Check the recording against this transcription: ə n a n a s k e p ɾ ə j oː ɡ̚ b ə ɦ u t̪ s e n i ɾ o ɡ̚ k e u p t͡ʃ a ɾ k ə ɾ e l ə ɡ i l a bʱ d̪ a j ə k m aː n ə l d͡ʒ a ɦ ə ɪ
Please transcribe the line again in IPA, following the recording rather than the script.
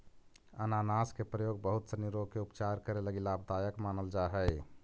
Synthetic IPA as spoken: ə n a n a s k e p ɾ ə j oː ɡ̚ b ə ɦ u t̪ s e n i ɾ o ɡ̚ k e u p t͡ʃ a ɾ k ə ɾ e l ə ɡ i l a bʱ d̪ a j ə k m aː n ə l d͡ʒ a ɦ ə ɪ